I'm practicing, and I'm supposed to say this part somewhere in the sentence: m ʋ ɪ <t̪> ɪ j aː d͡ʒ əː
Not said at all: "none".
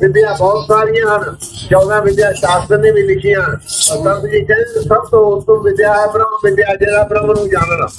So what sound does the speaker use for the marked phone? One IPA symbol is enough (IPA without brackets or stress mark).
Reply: d̪